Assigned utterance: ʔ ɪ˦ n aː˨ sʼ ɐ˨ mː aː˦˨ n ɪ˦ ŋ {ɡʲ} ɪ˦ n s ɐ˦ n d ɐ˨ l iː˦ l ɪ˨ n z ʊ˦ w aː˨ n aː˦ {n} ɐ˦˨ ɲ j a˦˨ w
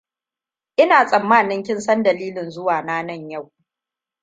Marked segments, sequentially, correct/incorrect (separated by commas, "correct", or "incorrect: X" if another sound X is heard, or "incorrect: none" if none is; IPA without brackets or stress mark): incorrect: kʲ, correct